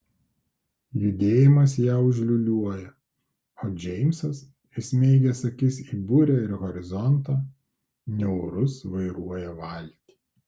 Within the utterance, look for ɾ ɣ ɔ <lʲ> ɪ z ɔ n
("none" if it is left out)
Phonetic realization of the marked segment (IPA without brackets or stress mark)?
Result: ɾʲ